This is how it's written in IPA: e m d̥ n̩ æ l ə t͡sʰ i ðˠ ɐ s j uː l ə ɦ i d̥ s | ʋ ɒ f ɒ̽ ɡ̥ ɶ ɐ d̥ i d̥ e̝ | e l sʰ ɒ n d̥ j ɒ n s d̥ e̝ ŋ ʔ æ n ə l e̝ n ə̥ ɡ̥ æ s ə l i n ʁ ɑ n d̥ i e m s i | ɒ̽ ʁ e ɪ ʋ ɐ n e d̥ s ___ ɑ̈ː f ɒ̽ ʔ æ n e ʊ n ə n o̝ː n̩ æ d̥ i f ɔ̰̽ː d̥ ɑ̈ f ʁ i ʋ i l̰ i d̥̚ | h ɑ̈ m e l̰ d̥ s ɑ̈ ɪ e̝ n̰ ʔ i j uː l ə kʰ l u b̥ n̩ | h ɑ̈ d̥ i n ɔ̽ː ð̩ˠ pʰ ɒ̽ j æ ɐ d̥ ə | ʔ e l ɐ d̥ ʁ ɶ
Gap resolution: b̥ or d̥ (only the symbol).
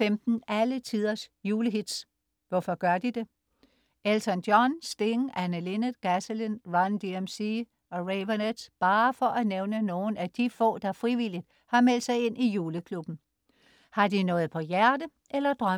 b̥